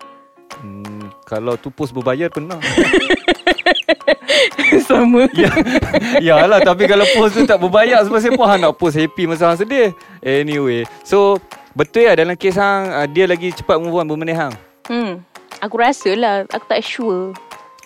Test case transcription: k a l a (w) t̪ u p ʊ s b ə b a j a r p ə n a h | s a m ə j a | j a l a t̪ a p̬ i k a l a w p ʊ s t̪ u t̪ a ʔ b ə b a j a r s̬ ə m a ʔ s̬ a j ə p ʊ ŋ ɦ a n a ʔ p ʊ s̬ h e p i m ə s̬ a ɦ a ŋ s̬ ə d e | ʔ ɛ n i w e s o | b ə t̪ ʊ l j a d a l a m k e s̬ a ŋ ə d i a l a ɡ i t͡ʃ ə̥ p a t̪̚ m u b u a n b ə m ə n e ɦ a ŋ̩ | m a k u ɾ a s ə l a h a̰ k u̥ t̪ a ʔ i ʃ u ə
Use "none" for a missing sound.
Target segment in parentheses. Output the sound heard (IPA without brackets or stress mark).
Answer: w